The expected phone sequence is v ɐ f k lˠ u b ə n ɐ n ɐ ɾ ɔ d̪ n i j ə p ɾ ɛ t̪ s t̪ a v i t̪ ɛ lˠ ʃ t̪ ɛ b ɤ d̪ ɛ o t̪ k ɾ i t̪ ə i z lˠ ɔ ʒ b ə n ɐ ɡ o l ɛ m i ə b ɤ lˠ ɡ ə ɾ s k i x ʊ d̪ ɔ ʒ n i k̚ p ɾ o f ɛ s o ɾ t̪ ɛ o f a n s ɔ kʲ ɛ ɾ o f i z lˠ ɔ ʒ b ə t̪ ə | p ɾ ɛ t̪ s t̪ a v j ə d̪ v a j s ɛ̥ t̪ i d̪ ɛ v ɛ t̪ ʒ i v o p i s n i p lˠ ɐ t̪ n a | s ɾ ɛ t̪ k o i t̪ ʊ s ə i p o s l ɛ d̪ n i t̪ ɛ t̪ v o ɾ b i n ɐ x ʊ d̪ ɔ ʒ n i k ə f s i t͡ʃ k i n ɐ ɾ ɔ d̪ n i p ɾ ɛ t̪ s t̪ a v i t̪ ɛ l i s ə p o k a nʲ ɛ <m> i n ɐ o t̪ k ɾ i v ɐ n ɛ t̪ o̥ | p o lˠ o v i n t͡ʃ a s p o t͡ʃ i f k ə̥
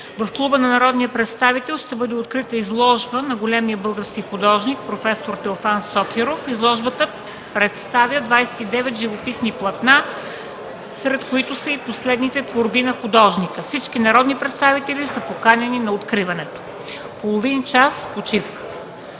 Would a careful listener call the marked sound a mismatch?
yes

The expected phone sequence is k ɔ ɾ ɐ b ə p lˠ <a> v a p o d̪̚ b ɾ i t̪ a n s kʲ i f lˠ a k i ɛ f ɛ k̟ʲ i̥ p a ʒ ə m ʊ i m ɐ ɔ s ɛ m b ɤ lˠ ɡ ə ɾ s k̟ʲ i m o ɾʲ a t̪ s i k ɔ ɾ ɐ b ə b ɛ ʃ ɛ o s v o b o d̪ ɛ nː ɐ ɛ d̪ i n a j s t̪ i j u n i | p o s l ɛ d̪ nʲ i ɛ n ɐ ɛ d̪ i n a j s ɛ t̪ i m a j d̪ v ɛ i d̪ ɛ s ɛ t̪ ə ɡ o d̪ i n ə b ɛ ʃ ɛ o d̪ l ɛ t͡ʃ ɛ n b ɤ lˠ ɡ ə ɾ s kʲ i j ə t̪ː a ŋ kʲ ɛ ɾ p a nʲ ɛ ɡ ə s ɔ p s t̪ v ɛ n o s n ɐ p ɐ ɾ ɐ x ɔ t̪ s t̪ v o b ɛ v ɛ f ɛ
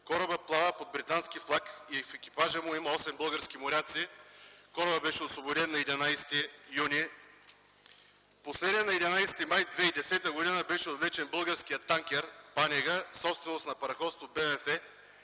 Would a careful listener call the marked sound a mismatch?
no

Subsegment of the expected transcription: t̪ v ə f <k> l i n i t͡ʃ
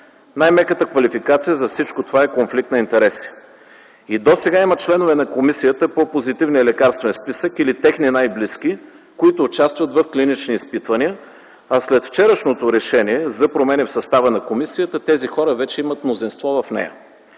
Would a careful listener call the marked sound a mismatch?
no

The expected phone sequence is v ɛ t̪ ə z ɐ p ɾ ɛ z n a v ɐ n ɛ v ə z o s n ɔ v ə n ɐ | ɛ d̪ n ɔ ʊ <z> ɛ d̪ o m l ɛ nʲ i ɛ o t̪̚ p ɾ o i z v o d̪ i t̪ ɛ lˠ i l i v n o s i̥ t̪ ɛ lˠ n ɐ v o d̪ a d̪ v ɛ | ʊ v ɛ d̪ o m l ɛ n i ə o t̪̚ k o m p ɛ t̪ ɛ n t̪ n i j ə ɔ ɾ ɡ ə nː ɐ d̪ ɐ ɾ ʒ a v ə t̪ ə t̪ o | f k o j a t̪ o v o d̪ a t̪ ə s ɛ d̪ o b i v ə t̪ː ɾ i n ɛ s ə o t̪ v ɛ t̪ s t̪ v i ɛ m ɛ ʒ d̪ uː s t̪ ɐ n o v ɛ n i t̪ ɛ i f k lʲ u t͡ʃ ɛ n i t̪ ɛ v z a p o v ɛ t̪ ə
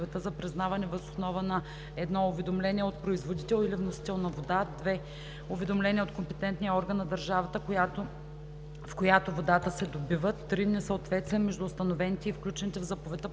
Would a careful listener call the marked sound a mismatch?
yes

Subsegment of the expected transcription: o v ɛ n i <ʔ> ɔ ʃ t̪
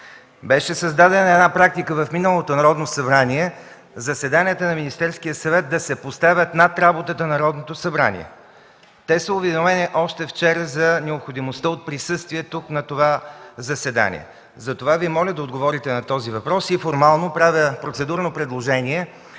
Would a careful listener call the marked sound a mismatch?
no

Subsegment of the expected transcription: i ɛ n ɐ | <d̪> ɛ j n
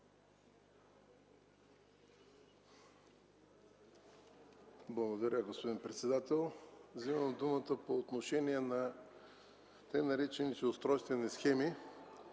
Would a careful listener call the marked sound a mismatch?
yes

